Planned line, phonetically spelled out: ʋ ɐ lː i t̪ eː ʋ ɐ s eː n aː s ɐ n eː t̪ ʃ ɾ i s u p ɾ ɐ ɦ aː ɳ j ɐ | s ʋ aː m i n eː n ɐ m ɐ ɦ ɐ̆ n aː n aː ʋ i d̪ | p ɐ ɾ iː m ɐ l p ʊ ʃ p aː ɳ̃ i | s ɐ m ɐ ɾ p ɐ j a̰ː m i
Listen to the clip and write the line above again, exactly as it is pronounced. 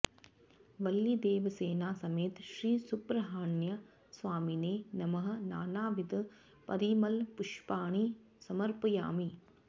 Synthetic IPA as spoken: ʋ ɐ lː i d̪ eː ʋ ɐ s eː n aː s ɐ m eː t̪ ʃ ɾ iː s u p ɾ ɐ ɦ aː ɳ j ɐ | s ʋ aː m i n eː n ɐ m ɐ ɦ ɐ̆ n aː n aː ʋ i d̪ | p ɐ ɾ iː m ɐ l p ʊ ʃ p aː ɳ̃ i | s ɐ m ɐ ɾ p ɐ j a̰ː m i